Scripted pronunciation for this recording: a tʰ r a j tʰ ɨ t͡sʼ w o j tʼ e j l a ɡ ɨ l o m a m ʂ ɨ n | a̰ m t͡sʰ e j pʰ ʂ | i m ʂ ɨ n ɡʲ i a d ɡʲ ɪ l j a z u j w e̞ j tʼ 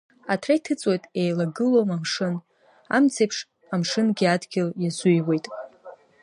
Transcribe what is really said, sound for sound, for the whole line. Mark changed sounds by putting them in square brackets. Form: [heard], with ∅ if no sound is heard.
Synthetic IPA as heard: a tʰ r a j tʰ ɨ t͡sʼ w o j tʼ e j l a ɡ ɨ l o m a m ʂ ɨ n | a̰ m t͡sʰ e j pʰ ʂ | [a] m ʂ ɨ n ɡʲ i a d ɡʲ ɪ l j a z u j w e̞ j tʼ